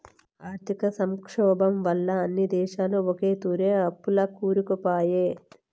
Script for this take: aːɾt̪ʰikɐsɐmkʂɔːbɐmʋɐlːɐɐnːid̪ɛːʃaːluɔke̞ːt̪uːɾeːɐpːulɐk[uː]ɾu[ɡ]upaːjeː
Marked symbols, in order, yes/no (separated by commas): yes, no